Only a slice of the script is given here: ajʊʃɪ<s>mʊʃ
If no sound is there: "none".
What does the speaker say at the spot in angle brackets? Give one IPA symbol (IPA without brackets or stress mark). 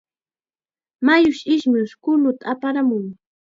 ʃ